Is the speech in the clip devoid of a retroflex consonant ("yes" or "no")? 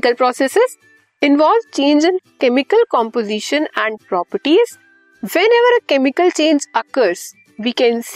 no